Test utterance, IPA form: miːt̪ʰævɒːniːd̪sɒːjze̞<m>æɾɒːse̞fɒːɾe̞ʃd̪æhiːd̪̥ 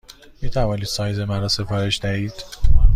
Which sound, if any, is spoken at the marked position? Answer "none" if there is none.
m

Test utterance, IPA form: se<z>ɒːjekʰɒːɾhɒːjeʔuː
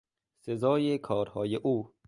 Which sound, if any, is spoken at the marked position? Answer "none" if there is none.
z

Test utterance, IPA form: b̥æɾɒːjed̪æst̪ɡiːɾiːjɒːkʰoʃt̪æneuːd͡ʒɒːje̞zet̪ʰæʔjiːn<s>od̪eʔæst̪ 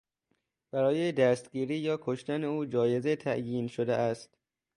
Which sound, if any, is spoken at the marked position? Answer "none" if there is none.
ʃ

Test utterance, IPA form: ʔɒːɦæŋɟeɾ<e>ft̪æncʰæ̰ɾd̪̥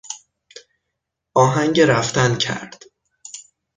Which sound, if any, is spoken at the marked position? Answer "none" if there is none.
æ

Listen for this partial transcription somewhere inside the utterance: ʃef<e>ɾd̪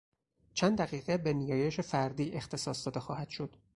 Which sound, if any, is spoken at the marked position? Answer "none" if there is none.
æ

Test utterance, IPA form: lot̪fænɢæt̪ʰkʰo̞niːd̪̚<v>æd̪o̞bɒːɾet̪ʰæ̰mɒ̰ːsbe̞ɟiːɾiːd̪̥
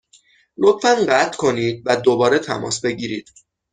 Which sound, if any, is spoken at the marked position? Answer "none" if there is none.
v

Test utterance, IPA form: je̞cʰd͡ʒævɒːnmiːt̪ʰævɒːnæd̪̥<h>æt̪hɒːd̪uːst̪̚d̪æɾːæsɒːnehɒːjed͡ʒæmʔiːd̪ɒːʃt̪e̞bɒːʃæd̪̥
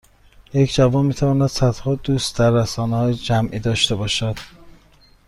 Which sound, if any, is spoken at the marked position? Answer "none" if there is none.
s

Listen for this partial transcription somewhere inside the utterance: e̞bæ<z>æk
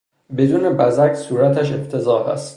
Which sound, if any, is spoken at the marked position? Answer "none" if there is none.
z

